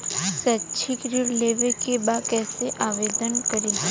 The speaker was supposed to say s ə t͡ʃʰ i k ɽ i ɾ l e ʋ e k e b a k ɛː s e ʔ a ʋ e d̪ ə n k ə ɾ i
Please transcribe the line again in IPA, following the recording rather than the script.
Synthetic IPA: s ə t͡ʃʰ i k ɾ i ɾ l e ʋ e k e b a k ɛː s e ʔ a ʋ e d̪ ə n k ə ɾ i